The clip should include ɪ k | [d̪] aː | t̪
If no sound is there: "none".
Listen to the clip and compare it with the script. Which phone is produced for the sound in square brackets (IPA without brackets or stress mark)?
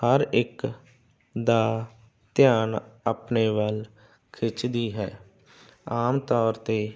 d̪